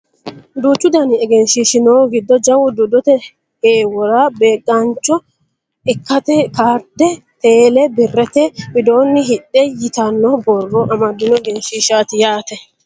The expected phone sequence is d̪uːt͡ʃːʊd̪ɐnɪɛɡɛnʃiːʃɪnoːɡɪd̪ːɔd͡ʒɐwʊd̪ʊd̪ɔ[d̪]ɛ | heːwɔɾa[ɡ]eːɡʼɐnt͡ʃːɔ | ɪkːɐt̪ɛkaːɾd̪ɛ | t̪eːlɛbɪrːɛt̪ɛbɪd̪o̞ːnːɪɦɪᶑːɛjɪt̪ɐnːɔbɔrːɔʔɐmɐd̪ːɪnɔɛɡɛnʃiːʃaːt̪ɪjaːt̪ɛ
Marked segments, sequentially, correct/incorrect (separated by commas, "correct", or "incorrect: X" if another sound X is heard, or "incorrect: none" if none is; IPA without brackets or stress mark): incorrect: t̪, incorrect: b